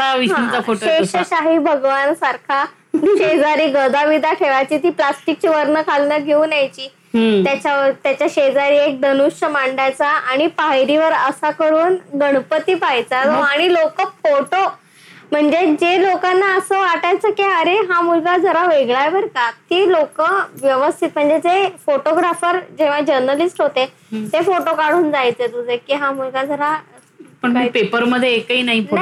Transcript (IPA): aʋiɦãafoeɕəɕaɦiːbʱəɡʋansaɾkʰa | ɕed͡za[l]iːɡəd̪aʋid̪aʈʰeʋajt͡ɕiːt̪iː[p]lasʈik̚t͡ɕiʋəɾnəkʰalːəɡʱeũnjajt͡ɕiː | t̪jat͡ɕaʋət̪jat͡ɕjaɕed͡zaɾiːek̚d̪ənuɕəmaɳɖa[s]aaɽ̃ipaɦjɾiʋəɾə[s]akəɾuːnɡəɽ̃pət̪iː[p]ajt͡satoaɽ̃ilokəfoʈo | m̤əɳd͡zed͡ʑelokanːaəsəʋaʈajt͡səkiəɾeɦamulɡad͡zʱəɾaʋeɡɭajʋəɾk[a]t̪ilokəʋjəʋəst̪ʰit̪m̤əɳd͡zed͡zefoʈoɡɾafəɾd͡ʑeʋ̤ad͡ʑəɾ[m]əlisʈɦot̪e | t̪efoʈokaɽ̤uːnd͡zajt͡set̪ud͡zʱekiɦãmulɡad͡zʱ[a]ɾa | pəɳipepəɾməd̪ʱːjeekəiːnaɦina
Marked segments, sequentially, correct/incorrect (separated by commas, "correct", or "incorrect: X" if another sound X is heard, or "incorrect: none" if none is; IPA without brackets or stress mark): incorrect: ɾ, correct, incorrect: t͡s, correct, correct, correct, incorrect: n, incorrect: ə